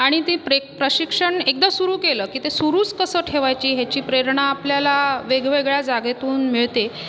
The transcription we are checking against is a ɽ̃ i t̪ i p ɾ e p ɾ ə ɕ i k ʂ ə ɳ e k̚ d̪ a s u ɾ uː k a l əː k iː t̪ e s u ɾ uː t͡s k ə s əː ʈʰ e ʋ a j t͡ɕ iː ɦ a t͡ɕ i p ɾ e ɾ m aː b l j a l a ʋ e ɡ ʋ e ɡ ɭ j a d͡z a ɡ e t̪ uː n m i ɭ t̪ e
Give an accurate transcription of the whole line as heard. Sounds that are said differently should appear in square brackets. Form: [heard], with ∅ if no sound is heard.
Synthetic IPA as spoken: a ɽ̃ i t̪ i p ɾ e p ɾ ə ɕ i k ʂ ə ɳ e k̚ d̪ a s u ɾ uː k [e] l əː k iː t̪ e s u ɾ uː t͡s k ə s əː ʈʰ e ʋ a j t͡ɕ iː ɦ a t͡ɕ [iː] p ɾ e ɾ [ɳ] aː [p] l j a l a ʋ e ɡ ʋ e ɡ ɭ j a d͡z a ɡ e t̪ uː n m i ɭ t̪ e